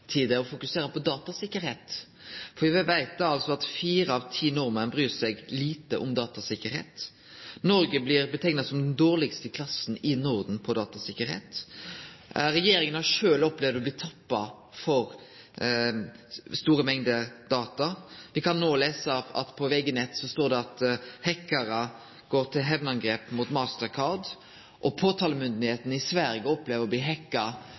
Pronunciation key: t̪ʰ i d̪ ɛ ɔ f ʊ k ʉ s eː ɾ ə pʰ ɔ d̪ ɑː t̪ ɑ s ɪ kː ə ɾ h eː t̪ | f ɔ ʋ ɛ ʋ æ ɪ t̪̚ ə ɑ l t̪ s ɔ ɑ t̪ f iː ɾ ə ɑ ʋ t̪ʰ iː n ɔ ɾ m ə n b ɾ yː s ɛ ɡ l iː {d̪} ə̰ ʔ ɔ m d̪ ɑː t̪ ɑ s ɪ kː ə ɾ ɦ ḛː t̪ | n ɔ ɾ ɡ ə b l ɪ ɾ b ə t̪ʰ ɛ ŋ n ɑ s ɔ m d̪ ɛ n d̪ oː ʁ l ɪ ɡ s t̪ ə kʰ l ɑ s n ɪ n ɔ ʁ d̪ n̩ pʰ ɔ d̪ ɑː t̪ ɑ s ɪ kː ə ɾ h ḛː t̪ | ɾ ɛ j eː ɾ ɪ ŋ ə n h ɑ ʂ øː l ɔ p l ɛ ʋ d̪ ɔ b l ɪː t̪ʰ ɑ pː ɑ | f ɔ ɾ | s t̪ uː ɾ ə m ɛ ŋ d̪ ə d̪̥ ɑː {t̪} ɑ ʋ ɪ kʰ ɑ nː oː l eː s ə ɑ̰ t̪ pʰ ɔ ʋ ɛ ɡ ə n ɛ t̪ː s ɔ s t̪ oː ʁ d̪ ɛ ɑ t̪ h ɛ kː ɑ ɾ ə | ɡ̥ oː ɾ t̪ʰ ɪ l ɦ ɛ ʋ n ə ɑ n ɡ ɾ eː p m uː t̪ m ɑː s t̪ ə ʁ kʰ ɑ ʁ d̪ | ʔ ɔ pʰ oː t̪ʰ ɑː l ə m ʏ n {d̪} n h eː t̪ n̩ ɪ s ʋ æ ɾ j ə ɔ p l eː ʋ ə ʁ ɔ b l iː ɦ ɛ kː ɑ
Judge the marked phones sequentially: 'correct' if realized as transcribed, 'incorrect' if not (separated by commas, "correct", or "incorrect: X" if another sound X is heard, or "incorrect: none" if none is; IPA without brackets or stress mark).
incorrect: t̪, correct, correct